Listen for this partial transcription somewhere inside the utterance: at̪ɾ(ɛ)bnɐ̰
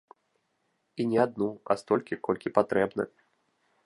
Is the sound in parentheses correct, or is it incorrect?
correct